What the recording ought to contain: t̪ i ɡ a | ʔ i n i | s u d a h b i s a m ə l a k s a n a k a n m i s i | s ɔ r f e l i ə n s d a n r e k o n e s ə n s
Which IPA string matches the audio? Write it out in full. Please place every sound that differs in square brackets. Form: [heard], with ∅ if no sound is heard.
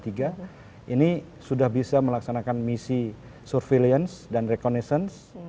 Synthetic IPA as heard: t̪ i ɡ a | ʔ i n i | s u d a h b i s a m ə l a k s a n a k a n m i s i | s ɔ r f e l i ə n s d a n r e k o n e s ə n s